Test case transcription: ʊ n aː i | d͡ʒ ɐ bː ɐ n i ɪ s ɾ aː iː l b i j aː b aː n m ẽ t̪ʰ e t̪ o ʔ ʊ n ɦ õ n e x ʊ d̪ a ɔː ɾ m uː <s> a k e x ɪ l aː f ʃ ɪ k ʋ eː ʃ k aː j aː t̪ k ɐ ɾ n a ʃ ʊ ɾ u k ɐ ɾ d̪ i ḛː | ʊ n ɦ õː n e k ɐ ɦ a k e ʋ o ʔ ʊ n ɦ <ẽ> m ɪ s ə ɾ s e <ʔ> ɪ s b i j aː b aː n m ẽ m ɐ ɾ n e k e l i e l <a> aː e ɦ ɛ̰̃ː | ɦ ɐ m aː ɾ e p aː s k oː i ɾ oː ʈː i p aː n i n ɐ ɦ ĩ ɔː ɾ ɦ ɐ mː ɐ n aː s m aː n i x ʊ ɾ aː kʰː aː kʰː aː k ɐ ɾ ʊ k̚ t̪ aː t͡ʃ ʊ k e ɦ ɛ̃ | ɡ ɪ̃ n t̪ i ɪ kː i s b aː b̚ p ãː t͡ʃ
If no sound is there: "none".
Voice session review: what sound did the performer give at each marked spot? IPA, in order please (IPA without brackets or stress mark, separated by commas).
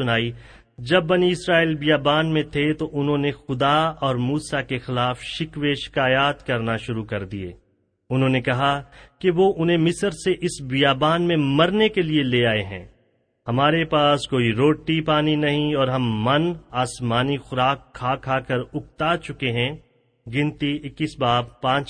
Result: s, ẽ, ʔ, e